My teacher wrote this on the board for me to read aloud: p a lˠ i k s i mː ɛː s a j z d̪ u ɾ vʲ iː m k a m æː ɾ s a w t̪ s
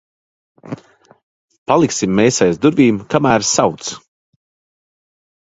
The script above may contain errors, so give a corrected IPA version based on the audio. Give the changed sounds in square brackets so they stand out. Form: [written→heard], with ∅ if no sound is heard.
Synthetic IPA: p a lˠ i k s i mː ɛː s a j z d̪ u ɾ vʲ iː m k a m æː ɾ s a w t̪ s